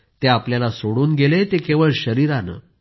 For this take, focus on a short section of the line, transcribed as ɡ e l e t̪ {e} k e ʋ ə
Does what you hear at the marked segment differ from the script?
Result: no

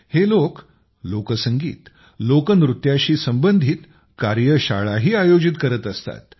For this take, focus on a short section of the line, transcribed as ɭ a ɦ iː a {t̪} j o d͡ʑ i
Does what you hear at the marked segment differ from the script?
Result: yes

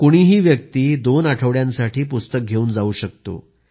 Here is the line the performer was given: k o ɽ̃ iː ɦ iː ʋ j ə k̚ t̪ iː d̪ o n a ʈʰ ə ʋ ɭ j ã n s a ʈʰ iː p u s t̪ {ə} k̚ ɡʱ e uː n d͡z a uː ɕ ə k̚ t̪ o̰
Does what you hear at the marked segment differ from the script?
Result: no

